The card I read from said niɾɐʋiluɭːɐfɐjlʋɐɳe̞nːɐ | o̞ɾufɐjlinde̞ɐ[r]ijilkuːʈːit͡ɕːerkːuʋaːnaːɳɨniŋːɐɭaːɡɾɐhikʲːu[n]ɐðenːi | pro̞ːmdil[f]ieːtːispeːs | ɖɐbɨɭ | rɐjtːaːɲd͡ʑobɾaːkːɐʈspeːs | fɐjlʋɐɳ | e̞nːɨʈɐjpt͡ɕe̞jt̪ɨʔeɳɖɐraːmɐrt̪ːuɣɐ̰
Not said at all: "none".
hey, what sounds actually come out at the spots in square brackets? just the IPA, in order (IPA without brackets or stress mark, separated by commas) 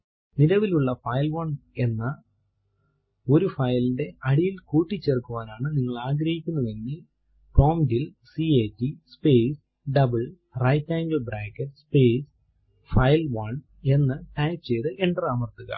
ɽ, nː, s